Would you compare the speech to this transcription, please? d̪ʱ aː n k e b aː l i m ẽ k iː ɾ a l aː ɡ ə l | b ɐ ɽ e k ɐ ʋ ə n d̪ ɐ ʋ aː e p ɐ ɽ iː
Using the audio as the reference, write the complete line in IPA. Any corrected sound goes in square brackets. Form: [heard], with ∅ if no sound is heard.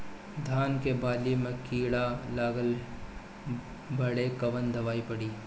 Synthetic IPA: d̪ʱ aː n k e b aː l i m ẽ k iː [ɽ] a l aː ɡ ə l | b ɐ ɽ e k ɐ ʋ ə n d̪ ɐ ʋ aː [i] p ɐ ɽ iː